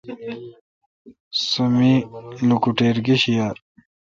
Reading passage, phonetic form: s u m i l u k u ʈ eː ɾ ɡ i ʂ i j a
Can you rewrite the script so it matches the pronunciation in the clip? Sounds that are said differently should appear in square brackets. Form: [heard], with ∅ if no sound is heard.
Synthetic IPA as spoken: s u m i l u k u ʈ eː ɾ ɡ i [ɕ] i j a